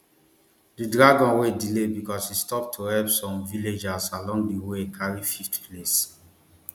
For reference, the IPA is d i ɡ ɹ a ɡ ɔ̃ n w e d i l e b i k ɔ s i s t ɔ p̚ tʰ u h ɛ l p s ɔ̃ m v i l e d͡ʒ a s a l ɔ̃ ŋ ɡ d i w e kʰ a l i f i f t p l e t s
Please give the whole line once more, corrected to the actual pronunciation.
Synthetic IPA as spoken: d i d ɹ a ɡ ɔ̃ n w e d i l e b i k ɔ s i s t ɔ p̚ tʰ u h ɛ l p s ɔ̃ m v i l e d͡ʒ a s a l ɔ̃ ŋ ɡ d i w e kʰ a ɹ i f i f t p l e s